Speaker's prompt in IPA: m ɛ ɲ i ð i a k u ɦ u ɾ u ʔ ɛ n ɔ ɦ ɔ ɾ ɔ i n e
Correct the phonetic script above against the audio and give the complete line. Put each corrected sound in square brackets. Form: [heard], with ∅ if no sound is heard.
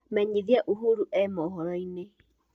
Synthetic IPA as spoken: m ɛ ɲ i ð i a [ʔ] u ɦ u ɾ u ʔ ɛ [m] ɔ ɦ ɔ ɾ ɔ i n e